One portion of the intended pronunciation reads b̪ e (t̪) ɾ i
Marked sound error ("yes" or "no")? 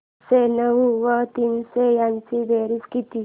yes